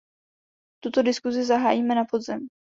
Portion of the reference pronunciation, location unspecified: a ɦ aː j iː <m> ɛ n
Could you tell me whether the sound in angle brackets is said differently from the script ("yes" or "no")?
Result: no